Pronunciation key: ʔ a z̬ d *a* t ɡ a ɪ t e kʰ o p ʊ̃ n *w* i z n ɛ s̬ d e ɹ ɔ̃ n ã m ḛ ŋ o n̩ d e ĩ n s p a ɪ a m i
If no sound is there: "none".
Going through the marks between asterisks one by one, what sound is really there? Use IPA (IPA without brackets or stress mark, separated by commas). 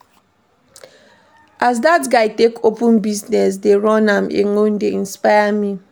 a, b